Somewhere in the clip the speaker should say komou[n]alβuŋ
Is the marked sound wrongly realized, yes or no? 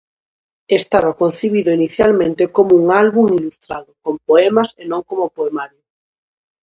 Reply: yes